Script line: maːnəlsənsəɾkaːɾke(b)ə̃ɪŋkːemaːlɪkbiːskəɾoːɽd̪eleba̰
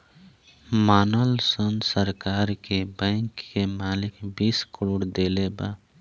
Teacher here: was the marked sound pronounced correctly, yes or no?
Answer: yes